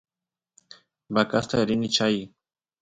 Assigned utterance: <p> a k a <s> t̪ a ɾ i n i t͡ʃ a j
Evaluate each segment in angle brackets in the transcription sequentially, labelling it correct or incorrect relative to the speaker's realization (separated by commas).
incorrect, correct